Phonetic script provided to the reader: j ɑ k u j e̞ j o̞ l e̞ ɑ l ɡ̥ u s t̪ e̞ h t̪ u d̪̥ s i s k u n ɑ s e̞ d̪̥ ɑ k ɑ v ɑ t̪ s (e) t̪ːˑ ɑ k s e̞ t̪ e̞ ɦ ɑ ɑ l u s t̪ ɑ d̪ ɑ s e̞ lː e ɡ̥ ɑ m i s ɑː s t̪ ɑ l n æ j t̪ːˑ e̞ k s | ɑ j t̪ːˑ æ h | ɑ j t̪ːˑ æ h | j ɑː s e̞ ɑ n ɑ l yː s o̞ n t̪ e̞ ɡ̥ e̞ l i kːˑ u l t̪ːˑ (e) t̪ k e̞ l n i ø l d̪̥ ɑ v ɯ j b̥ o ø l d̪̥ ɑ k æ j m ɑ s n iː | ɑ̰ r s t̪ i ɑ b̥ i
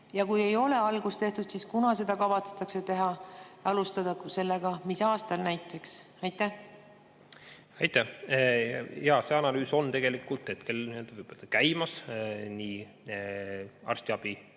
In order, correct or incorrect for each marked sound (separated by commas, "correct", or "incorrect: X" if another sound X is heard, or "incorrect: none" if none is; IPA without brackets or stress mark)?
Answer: correct, correct